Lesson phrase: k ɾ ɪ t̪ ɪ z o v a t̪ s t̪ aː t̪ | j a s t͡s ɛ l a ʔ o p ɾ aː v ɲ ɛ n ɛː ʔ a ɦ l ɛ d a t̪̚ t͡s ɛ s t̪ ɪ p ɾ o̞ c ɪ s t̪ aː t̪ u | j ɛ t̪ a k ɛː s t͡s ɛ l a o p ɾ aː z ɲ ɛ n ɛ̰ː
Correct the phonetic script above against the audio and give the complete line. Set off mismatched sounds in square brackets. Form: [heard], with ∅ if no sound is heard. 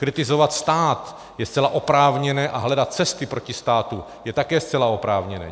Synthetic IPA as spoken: k ɾ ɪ t̪ ɪ z o v a t̪ s t̪ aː t̪ | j [ɛ] s t͡s ɛ l a ʔ o p ɾ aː v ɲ ɛ n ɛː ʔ a ɦ l ɛ d a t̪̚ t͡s ɛ s t̪ ɪ p ɾ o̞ c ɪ s t̪ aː t̪ u | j ɛ t̪ a k ɛː s t͡s ɛ l a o p ɾ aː [v] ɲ ɛ n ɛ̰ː